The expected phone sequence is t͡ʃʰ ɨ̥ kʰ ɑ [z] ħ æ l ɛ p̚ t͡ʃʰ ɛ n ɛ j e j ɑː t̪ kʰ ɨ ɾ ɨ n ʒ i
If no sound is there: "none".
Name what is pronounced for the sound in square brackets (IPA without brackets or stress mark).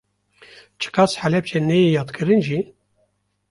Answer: s